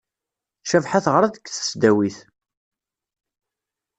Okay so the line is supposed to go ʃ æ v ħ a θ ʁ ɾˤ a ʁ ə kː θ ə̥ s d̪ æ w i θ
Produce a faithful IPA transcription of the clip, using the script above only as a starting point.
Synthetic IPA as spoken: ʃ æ v ħ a θ ʁ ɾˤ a ð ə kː θ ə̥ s d̪ æ w i θ